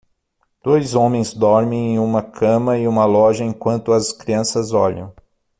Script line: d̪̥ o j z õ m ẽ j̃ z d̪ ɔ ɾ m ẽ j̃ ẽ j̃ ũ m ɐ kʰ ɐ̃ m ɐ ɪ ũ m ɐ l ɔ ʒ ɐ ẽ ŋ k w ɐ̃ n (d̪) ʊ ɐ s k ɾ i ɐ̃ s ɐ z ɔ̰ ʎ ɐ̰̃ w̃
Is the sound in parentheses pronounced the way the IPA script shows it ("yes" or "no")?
no